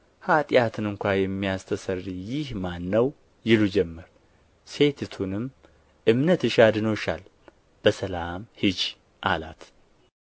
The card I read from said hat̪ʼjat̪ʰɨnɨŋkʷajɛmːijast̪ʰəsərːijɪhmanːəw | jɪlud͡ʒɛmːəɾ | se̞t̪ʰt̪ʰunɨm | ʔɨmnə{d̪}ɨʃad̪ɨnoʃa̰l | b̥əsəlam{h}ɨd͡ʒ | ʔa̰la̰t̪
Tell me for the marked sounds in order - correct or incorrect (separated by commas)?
incorrect, correct